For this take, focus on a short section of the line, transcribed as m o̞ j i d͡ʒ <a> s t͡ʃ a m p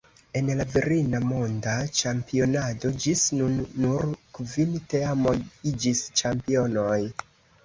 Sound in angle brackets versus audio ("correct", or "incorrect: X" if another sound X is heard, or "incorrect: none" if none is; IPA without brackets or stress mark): incorrect: i